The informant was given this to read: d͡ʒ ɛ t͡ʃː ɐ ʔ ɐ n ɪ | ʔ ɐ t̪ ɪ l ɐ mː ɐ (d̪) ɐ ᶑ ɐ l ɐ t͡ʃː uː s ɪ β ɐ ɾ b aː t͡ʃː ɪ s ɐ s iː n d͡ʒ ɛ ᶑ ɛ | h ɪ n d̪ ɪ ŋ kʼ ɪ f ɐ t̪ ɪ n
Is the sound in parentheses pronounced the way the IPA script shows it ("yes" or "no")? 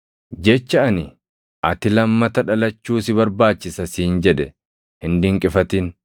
no